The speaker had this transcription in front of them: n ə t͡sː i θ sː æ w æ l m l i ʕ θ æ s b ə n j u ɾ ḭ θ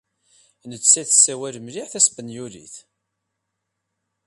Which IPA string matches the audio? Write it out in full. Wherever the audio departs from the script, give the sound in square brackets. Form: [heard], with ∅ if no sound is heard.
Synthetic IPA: n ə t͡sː [æ] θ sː æ w æ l m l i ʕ θ æ s b ə n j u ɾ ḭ θ